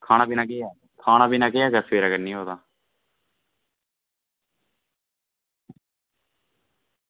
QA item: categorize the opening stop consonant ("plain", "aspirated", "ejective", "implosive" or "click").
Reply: aspirated